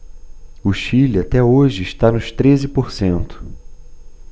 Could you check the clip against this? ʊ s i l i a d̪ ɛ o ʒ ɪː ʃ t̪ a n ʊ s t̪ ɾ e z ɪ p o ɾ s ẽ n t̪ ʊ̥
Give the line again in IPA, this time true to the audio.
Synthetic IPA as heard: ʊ ʃ i l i a t̪ ɛ o ʒ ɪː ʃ t̪ a n ʊ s t̪ ɾ e z ɪ p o ɾ s ẽ n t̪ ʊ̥